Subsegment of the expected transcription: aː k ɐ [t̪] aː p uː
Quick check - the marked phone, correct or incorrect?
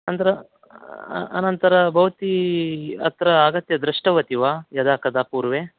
incorrect